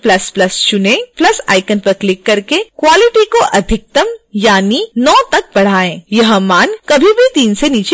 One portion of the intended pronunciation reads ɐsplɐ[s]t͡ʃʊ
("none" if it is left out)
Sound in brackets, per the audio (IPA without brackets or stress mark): s